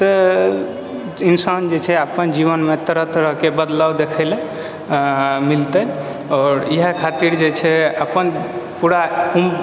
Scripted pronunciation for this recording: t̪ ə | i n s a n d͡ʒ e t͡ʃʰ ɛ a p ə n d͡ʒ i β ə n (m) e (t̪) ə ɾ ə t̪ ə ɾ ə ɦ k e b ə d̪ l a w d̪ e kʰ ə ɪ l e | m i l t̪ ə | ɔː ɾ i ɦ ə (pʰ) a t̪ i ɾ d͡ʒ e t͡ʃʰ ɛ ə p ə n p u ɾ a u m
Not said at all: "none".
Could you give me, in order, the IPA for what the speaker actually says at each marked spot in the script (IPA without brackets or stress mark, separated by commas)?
m, t̪, kʰ